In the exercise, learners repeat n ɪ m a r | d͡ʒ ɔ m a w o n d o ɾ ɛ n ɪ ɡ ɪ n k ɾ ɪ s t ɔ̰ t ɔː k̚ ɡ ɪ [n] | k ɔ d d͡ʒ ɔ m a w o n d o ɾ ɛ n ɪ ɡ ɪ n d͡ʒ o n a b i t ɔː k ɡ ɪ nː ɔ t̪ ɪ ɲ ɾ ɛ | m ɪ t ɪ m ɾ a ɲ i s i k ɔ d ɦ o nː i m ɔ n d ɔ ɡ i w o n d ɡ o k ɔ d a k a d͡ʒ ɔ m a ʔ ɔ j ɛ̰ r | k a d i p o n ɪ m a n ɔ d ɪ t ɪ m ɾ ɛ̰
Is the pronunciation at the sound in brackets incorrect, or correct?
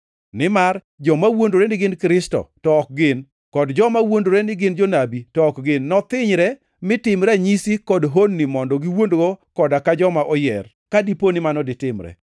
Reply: correct